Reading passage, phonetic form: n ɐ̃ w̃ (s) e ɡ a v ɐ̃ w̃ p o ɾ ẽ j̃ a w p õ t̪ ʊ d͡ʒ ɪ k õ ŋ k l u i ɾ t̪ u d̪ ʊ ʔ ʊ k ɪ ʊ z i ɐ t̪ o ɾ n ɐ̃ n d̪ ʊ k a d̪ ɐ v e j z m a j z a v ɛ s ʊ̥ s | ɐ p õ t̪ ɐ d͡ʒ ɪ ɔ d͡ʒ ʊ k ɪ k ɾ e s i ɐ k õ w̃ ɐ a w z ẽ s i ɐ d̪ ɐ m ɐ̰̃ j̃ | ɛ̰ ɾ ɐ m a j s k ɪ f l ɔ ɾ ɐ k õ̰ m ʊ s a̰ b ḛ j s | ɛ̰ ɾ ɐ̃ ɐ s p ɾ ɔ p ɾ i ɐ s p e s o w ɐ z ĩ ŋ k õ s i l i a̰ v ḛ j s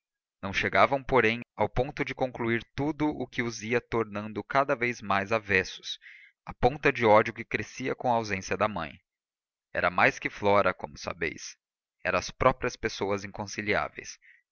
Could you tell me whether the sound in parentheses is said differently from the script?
yes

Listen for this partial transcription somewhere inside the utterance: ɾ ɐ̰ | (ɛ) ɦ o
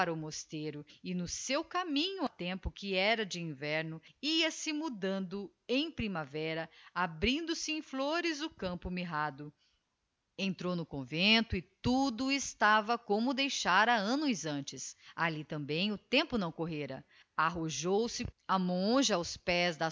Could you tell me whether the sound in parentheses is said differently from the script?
yes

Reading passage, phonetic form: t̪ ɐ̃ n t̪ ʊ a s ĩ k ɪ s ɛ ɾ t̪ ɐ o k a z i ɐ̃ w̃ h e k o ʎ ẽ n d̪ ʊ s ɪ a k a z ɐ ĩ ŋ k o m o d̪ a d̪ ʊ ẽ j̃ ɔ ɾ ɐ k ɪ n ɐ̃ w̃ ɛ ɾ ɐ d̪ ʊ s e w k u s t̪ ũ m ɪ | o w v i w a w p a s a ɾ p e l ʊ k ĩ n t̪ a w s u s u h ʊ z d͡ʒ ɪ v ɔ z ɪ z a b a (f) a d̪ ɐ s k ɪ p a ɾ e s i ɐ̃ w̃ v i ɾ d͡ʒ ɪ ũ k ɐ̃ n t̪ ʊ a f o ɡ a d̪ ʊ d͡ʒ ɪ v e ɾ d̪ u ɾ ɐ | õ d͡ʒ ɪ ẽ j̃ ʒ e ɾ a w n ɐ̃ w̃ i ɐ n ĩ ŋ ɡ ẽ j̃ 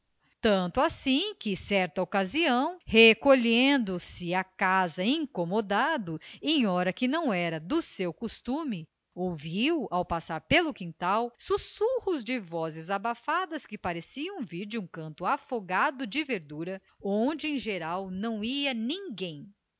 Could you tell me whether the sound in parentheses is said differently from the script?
no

